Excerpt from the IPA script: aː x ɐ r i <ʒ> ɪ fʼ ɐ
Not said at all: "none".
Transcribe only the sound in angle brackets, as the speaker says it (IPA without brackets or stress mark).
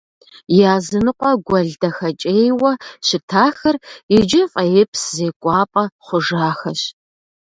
d͡ʒ